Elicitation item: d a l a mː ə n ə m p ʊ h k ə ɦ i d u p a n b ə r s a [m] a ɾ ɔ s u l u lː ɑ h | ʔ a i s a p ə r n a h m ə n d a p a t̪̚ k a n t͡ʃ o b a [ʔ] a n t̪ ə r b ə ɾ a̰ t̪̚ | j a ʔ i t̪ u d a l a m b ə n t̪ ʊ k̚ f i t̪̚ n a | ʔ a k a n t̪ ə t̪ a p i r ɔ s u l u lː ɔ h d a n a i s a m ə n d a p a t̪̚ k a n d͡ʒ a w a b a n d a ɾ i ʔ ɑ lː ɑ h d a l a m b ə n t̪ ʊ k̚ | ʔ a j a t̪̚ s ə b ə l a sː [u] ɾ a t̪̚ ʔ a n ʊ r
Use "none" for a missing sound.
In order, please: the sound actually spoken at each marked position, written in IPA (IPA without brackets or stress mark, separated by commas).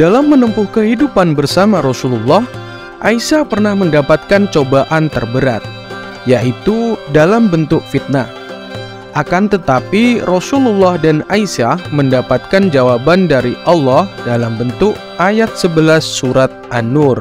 m, ʔ, u